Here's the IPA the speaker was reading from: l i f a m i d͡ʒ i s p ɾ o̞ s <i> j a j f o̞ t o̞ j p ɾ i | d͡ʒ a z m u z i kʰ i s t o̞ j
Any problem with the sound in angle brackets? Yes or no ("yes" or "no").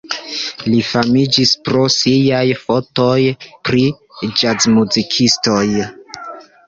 no